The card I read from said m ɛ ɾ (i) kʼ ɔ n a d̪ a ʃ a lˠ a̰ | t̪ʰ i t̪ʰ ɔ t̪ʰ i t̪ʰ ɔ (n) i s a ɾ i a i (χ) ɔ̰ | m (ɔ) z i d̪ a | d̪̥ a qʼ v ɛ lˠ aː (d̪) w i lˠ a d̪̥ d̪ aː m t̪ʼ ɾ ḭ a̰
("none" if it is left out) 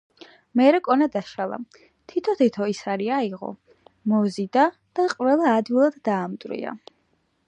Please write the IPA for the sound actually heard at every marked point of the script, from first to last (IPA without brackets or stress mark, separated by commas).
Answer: ɛ, none, ʁ, ɔ, d̪